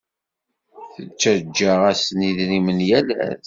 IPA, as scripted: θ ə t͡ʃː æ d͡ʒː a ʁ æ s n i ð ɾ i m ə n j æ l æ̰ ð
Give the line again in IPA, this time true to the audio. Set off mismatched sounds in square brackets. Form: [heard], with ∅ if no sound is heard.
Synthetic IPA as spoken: θ ə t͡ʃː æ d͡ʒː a ʁ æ s n i ð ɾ i m ə n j æ l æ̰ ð